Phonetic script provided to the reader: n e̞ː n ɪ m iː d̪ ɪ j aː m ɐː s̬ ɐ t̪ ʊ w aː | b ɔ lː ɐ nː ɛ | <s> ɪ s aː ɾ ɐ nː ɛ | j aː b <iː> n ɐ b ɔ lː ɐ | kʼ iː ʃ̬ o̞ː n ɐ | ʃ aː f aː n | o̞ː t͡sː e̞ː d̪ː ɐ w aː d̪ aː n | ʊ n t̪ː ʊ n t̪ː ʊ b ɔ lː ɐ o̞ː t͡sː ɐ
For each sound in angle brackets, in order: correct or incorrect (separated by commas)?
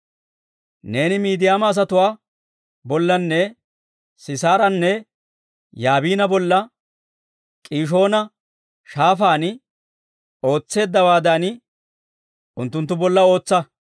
correct, correct